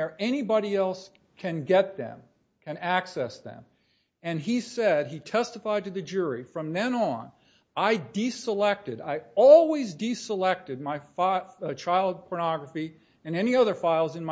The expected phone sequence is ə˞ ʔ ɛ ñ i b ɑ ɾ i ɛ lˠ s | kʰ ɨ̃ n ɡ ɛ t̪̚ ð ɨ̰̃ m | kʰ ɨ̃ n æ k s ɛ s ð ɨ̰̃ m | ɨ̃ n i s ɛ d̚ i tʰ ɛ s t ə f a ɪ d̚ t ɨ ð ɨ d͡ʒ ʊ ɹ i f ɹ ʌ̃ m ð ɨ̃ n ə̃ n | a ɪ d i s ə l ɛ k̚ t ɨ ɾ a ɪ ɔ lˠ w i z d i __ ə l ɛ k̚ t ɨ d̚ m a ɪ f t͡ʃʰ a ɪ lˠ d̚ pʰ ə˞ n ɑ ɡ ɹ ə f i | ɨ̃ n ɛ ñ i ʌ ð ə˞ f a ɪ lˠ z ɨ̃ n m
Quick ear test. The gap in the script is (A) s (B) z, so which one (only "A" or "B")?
A